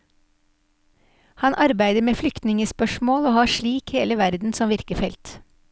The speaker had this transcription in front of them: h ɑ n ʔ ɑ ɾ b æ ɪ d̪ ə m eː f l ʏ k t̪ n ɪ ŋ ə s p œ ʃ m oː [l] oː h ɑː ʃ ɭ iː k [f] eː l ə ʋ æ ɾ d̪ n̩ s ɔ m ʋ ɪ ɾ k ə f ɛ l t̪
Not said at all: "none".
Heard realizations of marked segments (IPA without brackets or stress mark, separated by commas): l, h